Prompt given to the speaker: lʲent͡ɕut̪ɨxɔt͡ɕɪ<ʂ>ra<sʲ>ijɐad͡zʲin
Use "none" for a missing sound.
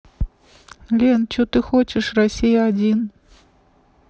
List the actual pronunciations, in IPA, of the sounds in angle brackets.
ʂ, sʲ

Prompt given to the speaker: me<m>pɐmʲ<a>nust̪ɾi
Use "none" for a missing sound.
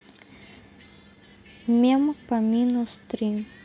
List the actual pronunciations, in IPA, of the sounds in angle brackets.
m, i

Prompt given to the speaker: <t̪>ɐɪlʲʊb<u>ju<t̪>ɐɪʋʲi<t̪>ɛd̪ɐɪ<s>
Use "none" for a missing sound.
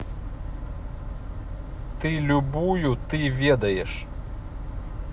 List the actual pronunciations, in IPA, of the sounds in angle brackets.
t̪, uː, t̪, none, ʃ

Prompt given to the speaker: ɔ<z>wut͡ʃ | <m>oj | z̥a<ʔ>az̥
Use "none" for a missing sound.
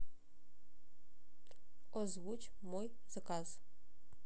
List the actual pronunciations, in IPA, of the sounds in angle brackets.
z, m, k

